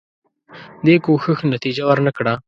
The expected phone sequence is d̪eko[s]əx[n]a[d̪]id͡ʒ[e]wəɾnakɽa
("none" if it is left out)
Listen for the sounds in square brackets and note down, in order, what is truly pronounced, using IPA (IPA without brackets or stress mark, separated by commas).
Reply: x, n, t̪, a